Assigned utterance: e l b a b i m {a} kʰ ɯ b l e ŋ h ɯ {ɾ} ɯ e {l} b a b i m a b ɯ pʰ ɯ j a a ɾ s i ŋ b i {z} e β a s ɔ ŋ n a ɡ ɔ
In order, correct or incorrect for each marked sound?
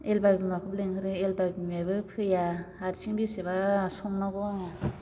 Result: correct, correct, correct, incorrect: s

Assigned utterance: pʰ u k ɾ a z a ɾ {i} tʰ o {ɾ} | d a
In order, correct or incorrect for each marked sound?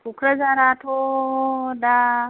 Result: incorrect: a, incorrect: none

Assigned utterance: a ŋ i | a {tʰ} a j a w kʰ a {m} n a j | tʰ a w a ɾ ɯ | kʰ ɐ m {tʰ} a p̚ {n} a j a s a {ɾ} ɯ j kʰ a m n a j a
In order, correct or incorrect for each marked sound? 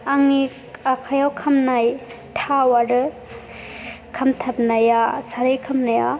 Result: incorrect: kʰ, correct, correct, correct, correct

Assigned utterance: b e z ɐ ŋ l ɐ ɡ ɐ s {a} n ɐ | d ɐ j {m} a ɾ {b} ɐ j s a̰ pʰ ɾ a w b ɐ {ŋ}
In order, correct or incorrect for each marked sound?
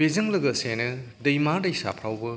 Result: incorrect: e, correct, incorrect: d, incorrect: none

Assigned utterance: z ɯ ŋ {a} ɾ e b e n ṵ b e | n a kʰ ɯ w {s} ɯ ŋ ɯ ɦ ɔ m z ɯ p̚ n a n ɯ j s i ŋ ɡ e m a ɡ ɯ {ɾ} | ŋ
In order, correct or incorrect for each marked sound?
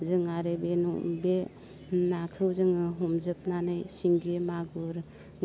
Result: correct, incorrect: z, correct

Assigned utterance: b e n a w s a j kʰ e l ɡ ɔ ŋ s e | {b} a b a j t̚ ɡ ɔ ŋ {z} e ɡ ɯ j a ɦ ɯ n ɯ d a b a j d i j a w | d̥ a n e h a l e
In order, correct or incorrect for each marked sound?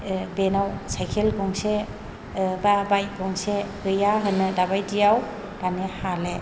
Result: correct, incorrect: s

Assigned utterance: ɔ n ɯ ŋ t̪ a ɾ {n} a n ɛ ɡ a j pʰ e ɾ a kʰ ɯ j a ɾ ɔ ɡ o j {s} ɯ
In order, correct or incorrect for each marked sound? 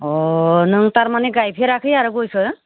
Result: incorrect: m, correct

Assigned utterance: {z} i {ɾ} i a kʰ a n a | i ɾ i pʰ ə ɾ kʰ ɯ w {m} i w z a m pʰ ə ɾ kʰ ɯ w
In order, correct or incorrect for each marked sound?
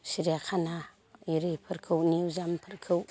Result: incorrect: s, correct, incorrect: n

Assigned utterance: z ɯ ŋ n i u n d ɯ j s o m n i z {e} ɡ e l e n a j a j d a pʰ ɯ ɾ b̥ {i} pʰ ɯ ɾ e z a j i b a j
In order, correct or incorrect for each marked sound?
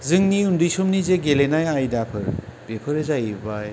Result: correct, incorrect: e

